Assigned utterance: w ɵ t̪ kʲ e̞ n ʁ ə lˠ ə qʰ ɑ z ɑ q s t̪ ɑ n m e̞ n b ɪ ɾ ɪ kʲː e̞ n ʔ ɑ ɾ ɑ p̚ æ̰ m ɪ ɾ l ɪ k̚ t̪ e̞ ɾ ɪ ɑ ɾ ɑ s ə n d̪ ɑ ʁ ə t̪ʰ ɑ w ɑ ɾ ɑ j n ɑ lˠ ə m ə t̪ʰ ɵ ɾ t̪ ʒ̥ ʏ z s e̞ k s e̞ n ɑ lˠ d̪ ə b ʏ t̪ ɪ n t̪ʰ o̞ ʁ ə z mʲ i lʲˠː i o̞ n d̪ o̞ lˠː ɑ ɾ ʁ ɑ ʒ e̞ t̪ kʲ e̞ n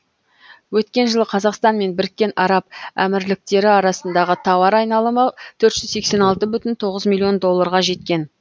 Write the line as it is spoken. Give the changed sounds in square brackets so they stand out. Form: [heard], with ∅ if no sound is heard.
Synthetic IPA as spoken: w ɵ t̪ kʲ e̞ n [ʒ] ə lˠ ə qʰ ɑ z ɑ q s t̪ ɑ n m e̞ n b ɪ ɾ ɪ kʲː e̞ n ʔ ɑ ɾ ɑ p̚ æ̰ m ɪ ɾ l ɪ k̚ t̪ e̞ ɾ ɪ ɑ ɾ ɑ s ə n d̪ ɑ ʁ ə t̪ʰ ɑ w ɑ ɾ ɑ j n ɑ lˠ ə m ə t̪ʰ ɵ ɾ t̪ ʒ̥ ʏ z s e̞ k s e̞ n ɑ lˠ [t̪] ə b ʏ t̪ ɪ n t̪ʰ o̞ ʁ ə z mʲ i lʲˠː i o̞ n d̪ o̞ lˠː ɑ ɾ ʁ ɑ ʒ e̞ t̪ kʲ e̞ n

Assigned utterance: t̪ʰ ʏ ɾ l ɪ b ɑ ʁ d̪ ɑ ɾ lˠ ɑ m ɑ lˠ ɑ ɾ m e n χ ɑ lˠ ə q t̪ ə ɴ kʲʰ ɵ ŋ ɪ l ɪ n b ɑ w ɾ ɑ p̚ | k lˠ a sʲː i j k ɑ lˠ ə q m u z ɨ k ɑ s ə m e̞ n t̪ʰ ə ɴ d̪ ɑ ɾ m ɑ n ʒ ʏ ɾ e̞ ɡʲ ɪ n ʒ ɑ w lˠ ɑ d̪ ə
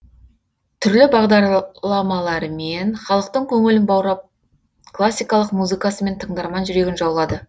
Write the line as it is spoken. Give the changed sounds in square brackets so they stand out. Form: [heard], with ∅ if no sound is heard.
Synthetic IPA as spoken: t̪ʰ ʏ ɾ l ɪ b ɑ ʁ d̪ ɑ ɾ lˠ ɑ m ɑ lˠ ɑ ɾ m e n χ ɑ lˠ ə q t̪ ə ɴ kʲʰ ɵ ŋ ɪ l ɪ n b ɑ w ɾ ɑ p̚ | k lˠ a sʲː i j k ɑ lˠ ə q m u z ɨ k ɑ s ə m e̞ n t̪ʰ ə ɴ d̪ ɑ ɾ m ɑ n ʒ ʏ ɾ e̞ ɡʲ ɪ n ʒ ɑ w lˠ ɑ d̪ ə

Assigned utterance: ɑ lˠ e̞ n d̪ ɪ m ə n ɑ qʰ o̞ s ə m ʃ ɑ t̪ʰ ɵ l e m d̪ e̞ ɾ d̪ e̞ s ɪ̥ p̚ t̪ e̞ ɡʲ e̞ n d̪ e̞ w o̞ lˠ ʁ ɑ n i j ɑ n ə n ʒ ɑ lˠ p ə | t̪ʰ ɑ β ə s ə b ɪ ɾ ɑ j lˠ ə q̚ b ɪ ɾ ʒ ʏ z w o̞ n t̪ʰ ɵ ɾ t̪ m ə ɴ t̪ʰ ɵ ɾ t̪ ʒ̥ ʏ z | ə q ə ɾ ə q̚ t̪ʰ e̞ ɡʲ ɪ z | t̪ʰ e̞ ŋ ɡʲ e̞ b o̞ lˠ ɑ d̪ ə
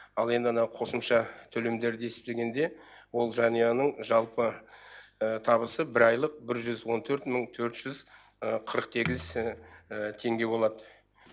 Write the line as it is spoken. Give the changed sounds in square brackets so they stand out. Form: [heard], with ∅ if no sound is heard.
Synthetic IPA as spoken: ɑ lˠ e̞ n d̪ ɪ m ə n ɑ qʰ o̞ s ə m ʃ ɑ t̪ʰ ɵ l e m d̪ e̞ ɾ d̪ e̞ s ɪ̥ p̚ t̪ e̞ ɡʲ e̞ n d̪ e̞ w o̞ lˠ [ʒ] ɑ n i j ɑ n ə [ɴ] ʒ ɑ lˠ p ə | t̪ʰ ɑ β ə s ə b ɪ ɾ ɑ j lˠ ə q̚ b ɪ ɾ ʒ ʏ z w o̞ n t̪ʰ ɵ ɾ t̪ m ə ɴ t̪ʰ ɵ ɾ t̪ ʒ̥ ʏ z | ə [qʰ] ə ɾ ə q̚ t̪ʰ e̞ ɡʲ ɪ z | t̪ʰ e̞ ŋ ɡʲ e̞ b o̞ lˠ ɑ d̪ ə

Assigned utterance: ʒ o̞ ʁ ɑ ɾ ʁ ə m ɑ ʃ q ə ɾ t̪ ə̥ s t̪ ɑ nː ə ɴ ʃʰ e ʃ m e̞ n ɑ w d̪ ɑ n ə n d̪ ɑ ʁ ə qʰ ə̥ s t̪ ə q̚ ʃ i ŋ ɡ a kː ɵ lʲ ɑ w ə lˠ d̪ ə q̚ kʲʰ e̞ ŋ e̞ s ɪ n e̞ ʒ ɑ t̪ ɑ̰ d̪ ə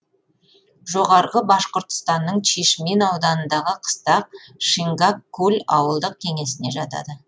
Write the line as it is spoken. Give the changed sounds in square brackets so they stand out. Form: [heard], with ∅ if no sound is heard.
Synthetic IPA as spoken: ʒ o̞ ʁ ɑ ɾ ʁ ə [b] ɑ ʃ q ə ɾ t̪ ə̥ s t̪ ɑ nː ə ɴ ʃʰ e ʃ m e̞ n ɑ w d̪ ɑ n ə n d̪ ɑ ʁ ə qʰ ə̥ s t̪ [ɑ] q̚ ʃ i ŋ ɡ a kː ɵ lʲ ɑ w ə lˠ d̪ ə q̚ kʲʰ e̞ ŋ e̞ s ɪ n e̞ ʒ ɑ t̪ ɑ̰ d̪ ə

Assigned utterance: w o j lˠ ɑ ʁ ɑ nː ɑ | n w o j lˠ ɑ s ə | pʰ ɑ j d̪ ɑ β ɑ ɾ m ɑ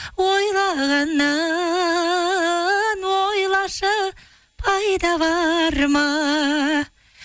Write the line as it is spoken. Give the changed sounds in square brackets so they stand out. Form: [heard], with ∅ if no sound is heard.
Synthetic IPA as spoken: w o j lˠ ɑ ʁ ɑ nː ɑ | n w o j lˠ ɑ [ʃ] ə | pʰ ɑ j d̪ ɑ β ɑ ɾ m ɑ

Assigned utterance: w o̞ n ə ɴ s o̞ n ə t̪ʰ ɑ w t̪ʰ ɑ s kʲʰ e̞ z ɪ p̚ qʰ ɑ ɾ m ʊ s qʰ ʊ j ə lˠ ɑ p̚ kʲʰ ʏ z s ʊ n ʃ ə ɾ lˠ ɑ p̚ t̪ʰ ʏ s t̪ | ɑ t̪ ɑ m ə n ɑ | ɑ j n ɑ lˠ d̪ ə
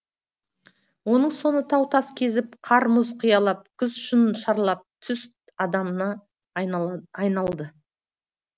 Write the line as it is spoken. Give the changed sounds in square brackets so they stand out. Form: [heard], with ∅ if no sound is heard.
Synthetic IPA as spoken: w o̞ n ə ɴ s o̞ n ə t̪ʰ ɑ w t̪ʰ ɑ s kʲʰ e̞ z ɪ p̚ qʰ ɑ ɾ m ʊ [z] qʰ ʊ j [ɑ] lˠ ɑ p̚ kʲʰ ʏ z [ʃ] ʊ n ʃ [ɑ] ɾ lˠ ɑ p̚ t̪ʰ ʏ s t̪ | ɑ [d̪] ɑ m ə n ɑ | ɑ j n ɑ lˠ d̪ ə

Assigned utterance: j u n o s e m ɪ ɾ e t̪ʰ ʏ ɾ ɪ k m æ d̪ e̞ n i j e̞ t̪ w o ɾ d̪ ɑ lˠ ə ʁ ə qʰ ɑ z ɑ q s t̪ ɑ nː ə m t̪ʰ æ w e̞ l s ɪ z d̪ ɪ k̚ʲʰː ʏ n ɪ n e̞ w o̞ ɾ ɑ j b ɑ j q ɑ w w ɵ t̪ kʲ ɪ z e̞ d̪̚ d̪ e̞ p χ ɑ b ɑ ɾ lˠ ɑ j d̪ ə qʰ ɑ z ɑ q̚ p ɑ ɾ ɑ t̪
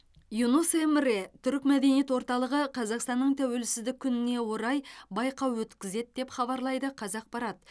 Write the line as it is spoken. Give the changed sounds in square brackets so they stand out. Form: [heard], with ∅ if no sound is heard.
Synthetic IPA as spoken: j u n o s e m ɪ ɾ e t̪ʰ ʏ ɾ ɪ k m æ d̪ e̞ n i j e̞ t̪ w o ɾ [t̪] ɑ lˠ ə ʁ ə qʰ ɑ z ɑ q s t̪ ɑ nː ə [ɴ] t̪ʰ æ w e̞ l s ɪ z d̪ ɪ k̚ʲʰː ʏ n ɪ n e̞ w o̞ ɾ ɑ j b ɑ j q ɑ w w ɵ t̪ kʲ ɪ z e̞ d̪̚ d̪ e̞ p χ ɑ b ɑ ɾ lˠ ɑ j d̪ ə qʰ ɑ z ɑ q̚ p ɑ ɾ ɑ t̪

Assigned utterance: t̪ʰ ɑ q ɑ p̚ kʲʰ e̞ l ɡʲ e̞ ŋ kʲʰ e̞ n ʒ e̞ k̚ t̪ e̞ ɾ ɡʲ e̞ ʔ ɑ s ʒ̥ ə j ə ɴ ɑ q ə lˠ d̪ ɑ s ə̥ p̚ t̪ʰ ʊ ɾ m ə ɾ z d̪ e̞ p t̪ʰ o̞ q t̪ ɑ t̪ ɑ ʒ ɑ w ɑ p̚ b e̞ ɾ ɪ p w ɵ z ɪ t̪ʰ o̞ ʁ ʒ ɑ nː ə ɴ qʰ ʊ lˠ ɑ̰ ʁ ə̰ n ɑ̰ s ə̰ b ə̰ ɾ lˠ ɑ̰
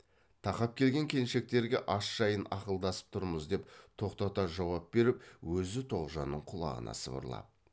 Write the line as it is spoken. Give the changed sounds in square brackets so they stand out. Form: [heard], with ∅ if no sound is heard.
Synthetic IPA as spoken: t̪ʰ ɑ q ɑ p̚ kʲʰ e̞ l ɡʲ e̞ ŋ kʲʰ e̞ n [ʃ] e̞ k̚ t̪ e̞ ɾ ɡʲ e̞ ʔ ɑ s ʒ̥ [ɑ] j ə [n] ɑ q ə lˠ d̪ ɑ s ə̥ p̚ t̪ʰ ʊ ɾ m ə [∅] z d̪ e̞ p t̪ʰ o̞ q t̪ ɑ t̪ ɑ ʒ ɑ w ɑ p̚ b e̞ ɾ ɪ p w ɵ z ɪ t̪ʰ o̞ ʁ ʒ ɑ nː ə ɴ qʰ ʊ lˠ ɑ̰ ʁ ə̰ n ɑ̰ s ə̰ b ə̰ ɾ lˠ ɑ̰

